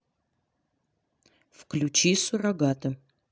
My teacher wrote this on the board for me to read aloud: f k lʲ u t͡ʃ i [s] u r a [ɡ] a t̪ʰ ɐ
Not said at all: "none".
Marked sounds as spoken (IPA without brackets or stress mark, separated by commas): s, ɡ